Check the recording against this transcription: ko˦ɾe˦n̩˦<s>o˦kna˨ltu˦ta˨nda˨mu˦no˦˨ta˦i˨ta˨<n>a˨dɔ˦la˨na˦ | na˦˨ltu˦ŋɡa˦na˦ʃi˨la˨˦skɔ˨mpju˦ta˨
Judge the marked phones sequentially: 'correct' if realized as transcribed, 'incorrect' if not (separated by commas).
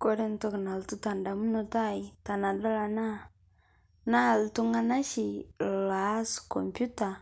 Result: incorrect, correct